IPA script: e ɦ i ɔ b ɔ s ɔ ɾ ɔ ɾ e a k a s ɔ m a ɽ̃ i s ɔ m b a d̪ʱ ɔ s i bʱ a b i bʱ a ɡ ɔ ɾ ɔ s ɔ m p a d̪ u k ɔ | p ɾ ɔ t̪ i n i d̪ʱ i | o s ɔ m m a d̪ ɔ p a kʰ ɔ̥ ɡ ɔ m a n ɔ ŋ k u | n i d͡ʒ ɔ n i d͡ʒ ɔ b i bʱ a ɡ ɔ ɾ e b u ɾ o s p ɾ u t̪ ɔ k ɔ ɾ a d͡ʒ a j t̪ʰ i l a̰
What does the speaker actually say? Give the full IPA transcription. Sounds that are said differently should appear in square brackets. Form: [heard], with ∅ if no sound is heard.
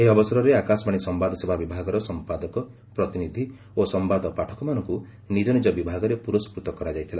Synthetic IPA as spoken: e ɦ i ɔ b ɔ s ɔ ɾ ɔ ɾ e a k a s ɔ m a ɽ̃ i s ɔ m b a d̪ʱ ɔ s [e] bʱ a b i bʱ a ɡ ɔ ɾ ɔ s ɔ m p a d̪ [ɔ] k ɔ | p ɾ ɔ t̪ i n i d̪ʱ i | o s ɔ m [b] a d̪ ɔ p a [ʈʰ] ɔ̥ [k] ɔ m a n ɔ ŋ k u | n i d͡ʒ ɔ n i d͡ʒ ɔ b i bʱ a ɡ ɔ ɾ e [p] u ɾ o s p ɾ u t̪ ɔ k ɔ ɾ a d͡ʒ a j t̪ʰ i l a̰